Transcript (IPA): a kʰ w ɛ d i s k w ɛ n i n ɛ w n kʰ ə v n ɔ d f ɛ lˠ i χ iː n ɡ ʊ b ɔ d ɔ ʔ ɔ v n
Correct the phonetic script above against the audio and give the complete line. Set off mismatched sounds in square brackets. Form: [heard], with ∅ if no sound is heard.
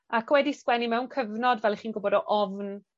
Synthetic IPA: a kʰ w ɛ d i s k w ɛ n i [m] ɛ w n kʰ ə v n ɔ d [v] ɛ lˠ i χ iː n ɡ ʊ b ɔ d ɔ ʔ ɔ v n